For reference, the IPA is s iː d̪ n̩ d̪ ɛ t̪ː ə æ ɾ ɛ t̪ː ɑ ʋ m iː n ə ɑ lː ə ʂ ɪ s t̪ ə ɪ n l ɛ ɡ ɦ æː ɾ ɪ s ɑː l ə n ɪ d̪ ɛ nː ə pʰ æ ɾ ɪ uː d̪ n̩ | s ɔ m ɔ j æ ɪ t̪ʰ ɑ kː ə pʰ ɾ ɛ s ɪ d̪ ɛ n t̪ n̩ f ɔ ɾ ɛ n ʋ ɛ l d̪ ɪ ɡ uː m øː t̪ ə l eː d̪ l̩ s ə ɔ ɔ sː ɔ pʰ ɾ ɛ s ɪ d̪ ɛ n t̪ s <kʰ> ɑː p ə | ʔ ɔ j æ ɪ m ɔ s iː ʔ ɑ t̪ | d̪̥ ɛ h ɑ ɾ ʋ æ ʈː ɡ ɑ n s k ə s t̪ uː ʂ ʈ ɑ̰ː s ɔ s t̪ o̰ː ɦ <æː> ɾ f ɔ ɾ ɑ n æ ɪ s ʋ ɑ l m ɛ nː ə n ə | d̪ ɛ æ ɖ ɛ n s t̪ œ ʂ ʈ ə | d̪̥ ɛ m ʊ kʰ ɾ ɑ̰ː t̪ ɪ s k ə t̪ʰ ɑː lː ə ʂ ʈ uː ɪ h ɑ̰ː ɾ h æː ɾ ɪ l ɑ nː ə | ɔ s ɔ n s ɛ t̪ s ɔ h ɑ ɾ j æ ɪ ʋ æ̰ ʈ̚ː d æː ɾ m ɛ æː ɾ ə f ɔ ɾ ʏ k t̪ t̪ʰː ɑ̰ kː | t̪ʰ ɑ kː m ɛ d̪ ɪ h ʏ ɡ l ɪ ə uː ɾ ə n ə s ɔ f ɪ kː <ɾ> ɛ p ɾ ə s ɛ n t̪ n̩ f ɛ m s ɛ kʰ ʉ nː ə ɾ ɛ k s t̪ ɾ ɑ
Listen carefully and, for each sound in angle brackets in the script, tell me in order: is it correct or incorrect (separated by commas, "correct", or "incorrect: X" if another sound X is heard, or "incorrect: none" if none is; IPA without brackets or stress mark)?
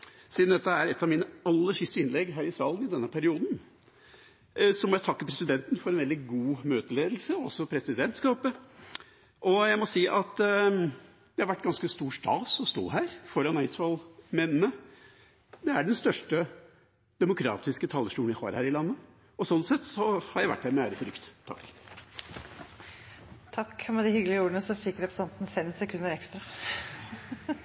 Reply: incorrect: k, correct, correct